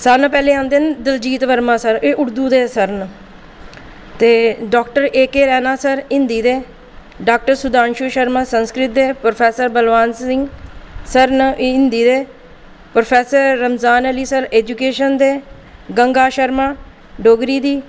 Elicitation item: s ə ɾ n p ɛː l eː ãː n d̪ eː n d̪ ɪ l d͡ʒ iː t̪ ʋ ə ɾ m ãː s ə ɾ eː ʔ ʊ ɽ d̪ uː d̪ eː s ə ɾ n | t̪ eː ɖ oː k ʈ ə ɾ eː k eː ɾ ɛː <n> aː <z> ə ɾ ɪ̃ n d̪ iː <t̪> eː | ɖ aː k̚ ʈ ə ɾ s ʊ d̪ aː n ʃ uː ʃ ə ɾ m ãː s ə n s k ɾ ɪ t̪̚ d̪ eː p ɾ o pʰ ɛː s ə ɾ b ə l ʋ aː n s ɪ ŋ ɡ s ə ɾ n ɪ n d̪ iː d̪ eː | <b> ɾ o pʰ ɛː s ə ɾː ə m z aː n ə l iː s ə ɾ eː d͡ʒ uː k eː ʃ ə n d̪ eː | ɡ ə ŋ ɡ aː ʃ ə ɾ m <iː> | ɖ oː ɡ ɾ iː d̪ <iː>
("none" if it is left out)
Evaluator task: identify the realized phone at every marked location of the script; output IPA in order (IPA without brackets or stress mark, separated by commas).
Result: n, s, d̪, p, aː, iː